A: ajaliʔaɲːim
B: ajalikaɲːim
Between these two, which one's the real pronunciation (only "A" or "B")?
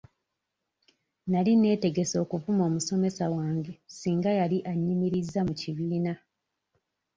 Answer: A